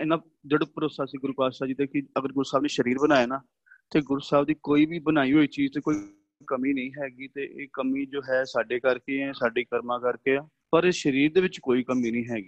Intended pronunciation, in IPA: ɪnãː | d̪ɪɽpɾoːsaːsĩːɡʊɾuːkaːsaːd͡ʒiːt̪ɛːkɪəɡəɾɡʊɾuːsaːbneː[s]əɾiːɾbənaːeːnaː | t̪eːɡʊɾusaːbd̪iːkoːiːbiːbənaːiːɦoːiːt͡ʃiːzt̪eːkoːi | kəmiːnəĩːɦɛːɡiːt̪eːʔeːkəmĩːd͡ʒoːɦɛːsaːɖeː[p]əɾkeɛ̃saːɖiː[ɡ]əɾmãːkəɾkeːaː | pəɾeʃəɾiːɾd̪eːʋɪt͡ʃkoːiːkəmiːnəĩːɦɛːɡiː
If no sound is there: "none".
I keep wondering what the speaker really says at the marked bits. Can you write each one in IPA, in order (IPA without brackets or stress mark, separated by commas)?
ʃ, k, k